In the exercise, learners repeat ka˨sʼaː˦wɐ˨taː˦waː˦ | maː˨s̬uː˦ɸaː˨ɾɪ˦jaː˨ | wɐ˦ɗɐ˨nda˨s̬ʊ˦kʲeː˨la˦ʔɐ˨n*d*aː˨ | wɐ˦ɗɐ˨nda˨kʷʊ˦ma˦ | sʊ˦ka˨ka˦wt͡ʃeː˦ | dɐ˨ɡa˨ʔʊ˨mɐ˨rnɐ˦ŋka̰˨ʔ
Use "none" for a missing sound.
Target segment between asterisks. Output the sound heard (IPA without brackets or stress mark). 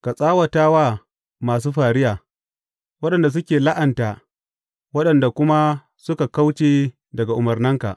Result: t